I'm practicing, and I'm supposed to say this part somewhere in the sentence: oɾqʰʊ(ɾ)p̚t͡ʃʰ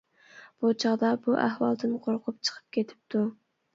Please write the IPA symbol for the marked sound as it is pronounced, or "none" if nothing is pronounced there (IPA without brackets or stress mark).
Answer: none